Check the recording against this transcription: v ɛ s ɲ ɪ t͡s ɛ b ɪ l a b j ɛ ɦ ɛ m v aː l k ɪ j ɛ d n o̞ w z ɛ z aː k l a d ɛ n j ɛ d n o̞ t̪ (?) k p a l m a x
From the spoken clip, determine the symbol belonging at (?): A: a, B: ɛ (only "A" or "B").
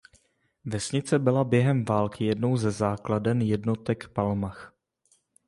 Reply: B